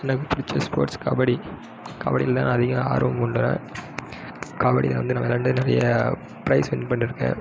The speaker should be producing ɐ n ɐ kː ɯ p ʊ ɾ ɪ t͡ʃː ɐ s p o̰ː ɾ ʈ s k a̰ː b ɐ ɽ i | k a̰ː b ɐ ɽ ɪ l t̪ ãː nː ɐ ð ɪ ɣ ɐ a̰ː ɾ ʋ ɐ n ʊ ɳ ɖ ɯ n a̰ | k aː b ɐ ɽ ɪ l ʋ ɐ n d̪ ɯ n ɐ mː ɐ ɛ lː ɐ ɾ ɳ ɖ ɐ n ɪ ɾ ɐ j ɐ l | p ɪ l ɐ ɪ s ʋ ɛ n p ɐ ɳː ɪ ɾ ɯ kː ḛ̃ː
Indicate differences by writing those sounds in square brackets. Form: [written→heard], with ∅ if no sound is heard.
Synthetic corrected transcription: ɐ n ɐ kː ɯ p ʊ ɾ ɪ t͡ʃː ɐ s p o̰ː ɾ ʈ s k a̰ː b ɐ ɽ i | k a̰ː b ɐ ɽ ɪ l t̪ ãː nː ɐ ð ɪ ɣ ɐ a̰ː ɾ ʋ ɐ [n→m] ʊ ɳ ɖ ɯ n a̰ | k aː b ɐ ɽ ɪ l ʋ ɐ n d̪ ɯ n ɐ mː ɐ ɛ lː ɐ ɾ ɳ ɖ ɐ n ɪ ɾ ɐ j ɐ [l→∅] | p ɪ [l→ɾ] ɐ ɪ s ʋ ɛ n p ɐ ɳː ɪ ɾ ɯ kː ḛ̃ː